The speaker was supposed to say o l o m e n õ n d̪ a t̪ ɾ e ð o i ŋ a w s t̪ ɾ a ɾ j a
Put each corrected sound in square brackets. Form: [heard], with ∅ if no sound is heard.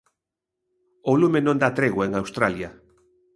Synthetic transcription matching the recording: o l [u] m e n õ n d̪ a t̪ ɾ e [ɣ] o [e] ŋ a w s t̪ ɾ a [l] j a